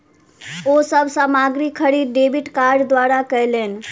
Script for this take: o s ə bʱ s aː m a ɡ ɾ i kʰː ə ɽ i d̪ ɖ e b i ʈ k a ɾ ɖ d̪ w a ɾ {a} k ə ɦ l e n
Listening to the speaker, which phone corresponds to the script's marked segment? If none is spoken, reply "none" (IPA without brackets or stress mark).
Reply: a